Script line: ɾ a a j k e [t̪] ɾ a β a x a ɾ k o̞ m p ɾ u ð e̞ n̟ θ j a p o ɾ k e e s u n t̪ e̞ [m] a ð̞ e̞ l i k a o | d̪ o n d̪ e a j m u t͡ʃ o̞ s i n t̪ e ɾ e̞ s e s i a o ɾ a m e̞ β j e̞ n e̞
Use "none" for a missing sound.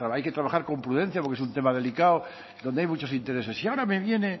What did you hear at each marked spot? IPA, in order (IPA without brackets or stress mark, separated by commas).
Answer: t̪, m